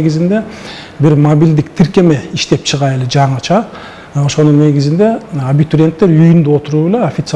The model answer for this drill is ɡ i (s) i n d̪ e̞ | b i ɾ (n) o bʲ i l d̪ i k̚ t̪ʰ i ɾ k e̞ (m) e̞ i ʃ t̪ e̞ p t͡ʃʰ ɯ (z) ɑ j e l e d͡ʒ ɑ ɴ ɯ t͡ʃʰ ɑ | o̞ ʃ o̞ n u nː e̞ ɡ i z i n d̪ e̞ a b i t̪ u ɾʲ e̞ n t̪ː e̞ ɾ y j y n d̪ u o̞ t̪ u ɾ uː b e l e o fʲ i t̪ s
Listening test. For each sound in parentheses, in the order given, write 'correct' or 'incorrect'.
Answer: incorrect, incorrect, correct, incorrect

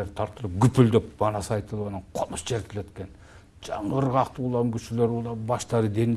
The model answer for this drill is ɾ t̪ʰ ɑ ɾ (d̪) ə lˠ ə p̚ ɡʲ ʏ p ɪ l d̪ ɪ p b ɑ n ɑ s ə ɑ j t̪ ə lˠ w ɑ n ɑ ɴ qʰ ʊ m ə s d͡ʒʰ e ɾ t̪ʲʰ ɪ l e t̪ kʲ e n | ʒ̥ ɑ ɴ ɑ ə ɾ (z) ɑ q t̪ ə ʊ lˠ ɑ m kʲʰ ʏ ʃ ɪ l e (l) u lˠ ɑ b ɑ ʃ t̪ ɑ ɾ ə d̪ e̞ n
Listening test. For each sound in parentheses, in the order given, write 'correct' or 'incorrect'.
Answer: incorrect, incorrect, incorrect

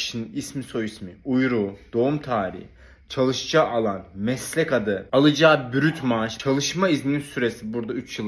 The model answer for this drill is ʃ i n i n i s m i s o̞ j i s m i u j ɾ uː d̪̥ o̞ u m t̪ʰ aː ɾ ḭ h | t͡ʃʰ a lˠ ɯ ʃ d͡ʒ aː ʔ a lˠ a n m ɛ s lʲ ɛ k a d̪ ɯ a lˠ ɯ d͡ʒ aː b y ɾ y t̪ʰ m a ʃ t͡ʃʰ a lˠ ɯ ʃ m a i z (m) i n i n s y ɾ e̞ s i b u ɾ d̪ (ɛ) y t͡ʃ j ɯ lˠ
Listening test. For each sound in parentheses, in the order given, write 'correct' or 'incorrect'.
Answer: correct, incorrect

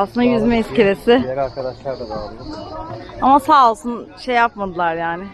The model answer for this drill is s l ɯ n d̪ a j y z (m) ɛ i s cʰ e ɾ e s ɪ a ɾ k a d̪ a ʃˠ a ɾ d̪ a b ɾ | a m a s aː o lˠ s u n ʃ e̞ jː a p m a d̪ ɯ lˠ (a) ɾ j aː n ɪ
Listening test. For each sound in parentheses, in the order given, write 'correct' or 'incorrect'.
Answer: correct, correct

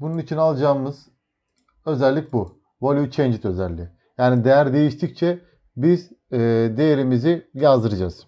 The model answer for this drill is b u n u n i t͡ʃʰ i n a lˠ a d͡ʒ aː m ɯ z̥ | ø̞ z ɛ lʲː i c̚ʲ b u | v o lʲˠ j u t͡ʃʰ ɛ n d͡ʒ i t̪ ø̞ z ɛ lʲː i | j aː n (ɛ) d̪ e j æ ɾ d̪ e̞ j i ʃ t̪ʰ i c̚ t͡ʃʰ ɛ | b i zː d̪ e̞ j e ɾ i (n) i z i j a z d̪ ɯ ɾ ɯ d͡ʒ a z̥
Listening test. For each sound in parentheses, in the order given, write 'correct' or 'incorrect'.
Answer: incorrect, incorrect

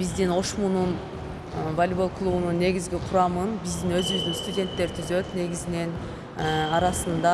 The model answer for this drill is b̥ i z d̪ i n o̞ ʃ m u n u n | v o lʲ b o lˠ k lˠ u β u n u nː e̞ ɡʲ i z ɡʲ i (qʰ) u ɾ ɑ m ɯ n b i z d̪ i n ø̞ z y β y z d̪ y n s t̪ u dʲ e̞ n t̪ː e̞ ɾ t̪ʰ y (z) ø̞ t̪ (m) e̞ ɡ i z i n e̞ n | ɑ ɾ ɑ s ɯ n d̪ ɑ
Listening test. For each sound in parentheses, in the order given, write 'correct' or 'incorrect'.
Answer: correct, correct, incorrect

